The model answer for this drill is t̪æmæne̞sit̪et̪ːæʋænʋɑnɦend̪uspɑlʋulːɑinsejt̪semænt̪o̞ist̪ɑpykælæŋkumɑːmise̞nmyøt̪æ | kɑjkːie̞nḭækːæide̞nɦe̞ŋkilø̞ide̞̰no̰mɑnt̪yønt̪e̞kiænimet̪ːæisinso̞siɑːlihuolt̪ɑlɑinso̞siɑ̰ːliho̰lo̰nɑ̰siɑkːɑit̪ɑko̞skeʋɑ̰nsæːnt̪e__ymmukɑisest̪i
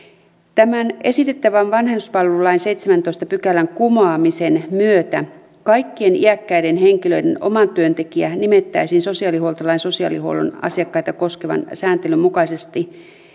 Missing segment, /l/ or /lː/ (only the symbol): l